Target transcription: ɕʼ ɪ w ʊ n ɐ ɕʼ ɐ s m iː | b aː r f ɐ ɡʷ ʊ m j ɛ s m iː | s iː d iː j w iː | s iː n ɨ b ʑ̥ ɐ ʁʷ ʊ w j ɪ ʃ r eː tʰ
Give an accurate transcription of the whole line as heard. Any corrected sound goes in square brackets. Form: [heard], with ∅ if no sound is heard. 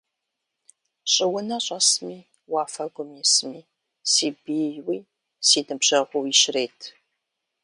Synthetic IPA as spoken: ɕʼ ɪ w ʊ n ɐ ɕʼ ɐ s m iː | [w] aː [∅] f ɐ ɡʷ ʊ m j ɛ s m iː | s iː [b] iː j w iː | s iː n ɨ b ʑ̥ ɐ ʁʷ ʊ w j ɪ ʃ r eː tʰ